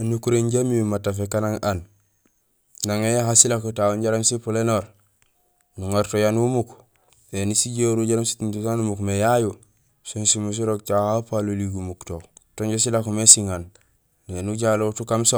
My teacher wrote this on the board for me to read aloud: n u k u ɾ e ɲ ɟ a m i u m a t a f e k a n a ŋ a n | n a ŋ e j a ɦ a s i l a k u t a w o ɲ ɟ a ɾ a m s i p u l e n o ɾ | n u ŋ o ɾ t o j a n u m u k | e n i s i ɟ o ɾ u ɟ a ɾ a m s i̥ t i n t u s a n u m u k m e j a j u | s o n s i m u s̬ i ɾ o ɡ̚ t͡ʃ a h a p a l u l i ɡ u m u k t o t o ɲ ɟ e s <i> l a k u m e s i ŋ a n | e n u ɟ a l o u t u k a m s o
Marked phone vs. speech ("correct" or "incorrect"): correct